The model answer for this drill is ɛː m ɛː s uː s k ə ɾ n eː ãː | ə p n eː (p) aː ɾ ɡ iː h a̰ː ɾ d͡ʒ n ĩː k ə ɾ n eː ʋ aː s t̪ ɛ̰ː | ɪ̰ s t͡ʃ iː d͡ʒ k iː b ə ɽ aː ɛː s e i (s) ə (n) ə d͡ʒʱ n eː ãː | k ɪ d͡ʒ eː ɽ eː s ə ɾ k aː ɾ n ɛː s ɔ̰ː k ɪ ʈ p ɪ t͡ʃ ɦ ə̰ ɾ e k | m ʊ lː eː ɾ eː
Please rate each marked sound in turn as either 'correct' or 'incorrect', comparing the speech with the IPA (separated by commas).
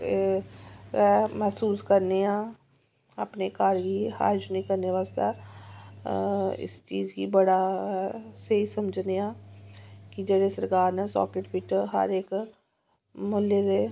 incorrect, correct, incorrect